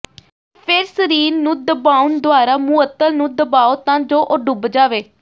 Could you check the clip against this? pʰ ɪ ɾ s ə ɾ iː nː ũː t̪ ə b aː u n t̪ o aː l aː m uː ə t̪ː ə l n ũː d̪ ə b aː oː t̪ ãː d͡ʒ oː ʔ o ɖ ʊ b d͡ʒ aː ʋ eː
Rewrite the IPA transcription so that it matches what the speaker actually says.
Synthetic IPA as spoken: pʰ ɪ ɾ s ə ɾ iː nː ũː d̪ ə b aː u n d̪ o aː ɾ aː m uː ə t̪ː ə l n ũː d̪ ə b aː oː t̪ ãː d͡ʒ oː ʔ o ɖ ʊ b d͡ʒ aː ʋ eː